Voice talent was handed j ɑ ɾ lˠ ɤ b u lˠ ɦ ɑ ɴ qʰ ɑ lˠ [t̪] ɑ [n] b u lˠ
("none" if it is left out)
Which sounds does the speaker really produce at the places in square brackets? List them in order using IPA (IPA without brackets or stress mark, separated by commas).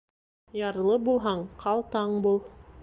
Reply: t̪, ɴ